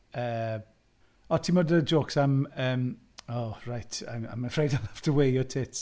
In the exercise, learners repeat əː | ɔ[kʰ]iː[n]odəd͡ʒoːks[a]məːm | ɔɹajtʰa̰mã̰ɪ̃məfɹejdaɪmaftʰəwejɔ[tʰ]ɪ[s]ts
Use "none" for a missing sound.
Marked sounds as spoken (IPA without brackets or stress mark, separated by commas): tʰ, m, a, tʰ, none